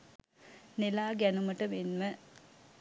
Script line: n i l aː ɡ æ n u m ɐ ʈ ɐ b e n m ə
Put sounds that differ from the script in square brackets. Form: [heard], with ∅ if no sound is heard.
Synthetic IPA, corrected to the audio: n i l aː ɡ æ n u m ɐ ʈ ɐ [m] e n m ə